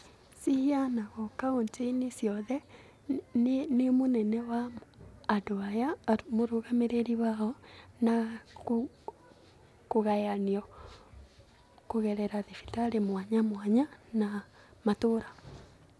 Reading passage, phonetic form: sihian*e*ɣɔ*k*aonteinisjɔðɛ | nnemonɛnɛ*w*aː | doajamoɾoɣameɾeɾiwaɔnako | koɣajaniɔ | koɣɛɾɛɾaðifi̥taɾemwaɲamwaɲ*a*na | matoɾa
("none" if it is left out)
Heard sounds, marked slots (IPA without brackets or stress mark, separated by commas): a, k, w, a